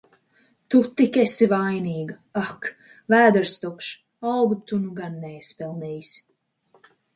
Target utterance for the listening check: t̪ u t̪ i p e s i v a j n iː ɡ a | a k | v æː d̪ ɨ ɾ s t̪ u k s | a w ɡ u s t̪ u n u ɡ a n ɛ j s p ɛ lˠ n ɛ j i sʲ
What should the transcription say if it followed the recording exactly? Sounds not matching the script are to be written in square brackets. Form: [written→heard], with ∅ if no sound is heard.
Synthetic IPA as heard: t̪ u t̪ i [p→k] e s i v a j n iː ɡ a | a k | v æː d̪ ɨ ɾ s t̪ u k [s→ʃ] | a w ɡ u [s→∅] t̪ u n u ɡ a [n→nː] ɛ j s p ɛ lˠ n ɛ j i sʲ